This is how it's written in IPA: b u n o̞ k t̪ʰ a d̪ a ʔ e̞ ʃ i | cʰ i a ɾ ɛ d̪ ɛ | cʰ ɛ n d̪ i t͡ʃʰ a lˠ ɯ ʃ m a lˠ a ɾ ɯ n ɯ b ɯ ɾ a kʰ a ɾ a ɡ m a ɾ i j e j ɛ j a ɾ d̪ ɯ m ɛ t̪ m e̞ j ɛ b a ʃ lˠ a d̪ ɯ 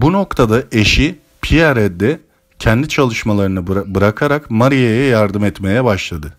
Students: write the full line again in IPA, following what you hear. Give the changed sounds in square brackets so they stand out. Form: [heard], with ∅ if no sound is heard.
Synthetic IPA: b u n o̞ k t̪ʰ a d̪ a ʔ e̞ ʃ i | [pʰ] i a ɾ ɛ d̪ ɛ | cʰ ɛ n d̪ i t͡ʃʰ a lˠ ɯ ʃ m a lˠ a ɾ ɯ n ɯ b ɯ ɾ a kʰ a ɾ a [k] m a ɾ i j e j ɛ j a ɾ d̪ ɯ m ɛ t̪ m e̞ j ɛ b a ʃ lˠ a d̪ ɯ